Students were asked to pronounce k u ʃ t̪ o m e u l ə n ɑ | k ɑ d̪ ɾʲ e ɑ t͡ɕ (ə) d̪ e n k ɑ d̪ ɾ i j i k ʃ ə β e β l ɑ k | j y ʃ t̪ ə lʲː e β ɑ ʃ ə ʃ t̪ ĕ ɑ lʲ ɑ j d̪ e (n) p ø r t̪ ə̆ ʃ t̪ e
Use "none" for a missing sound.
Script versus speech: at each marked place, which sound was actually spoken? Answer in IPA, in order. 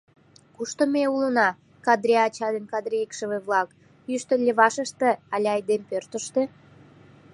ɑ, m

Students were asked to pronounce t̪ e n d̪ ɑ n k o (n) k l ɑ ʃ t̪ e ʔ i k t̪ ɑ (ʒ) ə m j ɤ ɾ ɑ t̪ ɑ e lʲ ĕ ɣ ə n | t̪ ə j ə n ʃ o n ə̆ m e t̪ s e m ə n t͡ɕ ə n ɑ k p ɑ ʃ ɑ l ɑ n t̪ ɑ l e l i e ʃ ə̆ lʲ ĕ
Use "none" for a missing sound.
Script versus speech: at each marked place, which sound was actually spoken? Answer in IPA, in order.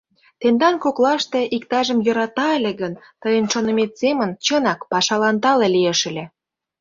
none, ʒ

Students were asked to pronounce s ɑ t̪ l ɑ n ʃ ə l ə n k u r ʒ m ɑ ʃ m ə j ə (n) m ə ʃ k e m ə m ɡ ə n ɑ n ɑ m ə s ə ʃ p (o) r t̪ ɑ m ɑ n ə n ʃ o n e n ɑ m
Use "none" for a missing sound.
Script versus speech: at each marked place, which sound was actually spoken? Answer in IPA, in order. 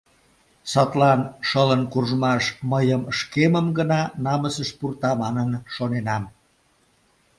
none, u

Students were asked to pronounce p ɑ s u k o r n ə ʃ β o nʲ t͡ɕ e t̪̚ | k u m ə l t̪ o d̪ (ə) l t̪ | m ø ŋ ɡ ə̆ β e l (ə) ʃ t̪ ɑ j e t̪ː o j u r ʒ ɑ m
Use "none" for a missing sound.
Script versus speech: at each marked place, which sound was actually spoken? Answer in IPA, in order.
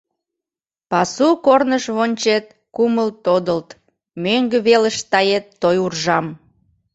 ə, ə

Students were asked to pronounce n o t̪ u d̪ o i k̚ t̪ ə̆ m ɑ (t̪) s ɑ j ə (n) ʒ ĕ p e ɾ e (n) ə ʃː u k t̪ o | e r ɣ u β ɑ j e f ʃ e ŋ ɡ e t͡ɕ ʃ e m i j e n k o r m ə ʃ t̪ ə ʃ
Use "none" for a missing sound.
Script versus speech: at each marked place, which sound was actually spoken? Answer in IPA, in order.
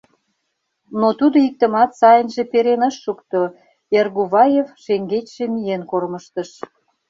t̪, n, n

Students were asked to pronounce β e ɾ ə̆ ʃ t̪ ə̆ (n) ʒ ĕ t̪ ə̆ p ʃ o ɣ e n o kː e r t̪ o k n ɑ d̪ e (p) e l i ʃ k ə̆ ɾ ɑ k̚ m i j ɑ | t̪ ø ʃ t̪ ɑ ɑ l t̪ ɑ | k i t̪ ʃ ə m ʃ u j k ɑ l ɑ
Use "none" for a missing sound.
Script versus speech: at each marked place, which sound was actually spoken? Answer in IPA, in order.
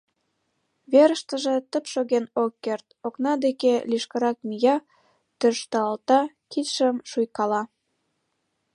none, k

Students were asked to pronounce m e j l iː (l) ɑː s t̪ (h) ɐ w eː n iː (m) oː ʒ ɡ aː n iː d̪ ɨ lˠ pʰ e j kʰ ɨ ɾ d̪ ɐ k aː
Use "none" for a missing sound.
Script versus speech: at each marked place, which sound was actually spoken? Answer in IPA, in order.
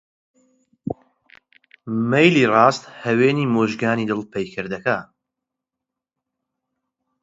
r, h, m

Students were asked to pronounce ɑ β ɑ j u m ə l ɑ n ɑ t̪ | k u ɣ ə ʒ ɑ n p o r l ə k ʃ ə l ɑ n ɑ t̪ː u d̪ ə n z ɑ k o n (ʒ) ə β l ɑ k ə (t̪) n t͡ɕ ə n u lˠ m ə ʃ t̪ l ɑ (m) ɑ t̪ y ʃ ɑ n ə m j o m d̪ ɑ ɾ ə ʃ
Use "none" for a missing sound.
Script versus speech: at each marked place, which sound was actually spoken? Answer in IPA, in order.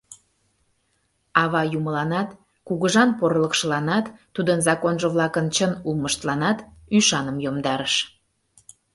ʒ, none, n

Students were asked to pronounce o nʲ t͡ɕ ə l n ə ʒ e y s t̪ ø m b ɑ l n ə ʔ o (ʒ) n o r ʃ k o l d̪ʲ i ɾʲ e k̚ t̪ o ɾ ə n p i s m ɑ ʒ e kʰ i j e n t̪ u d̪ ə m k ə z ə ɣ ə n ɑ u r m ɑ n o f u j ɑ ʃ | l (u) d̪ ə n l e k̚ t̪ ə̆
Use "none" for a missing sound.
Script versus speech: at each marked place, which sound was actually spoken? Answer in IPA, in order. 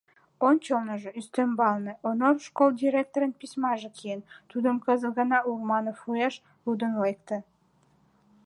none, u

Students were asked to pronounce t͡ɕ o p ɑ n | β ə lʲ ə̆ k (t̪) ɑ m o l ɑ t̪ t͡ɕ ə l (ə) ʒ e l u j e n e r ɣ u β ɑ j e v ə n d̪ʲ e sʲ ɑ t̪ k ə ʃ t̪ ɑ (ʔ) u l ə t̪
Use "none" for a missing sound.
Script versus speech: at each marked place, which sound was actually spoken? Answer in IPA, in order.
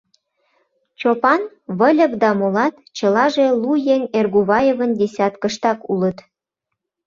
d̪, ɑ, k

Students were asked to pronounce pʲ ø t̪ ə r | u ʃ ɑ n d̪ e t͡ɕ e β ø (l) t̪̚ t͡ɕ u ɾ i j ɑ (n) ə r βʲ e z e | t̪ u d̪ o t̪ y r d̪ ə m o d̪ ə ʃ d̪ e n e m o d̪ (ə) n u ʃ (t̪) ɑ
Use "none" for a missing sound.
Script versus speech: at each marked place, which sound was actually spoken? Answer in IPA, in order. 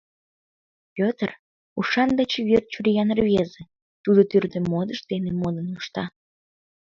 r, n, ə, t̪

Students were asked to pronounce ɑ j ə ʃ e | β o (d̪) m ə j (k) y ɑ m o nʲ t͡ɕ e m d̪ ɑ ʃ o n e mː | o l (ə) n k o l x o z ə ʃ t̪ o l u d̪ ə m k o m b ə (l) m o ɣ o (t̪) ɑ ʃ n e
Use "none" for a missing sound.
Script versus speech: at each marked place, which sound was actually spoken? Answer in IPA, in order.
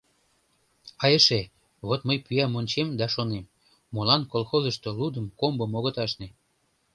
t̪, p, ɑ, none, t̪

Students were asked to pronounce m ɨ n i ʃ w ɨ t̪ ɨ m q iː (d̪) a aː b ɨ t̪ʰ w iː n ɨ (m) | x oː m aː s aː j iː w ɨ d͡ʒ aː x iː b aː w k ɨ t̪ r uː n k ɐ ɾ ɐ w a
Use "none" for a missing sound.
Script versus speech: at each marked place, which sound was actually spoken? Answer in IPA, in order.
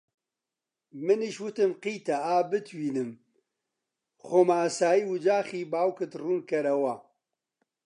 t̪, m

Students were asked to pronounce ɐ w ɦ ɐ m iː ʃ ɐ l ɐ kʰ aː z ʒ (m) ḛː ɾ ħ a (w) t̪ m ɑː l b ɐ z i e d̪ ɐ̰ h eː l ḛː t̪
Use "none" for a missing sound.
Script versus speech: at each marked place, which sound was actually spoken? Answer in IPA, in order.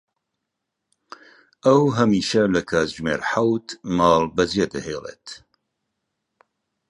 m, w

